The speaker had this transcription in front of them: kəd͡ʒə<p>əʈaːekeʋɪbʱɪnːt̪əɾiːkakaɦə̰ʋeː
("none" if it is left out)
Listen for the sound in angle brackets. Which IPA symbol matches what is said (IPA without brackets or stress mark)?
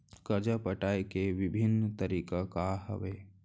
p